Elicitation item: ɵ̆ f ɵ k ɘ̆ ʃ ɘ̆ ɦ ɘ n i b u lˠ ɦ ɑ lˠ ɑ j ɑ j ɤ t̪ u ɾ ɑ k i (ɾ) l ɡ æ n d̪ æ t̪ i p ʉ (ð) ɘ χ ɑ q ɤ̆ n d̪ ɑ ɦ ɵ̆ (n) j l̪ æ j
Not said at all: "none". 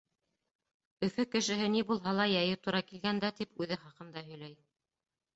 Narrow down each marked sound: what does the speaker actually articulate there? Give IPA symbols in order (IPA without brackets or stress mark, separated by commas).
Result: none, ð, none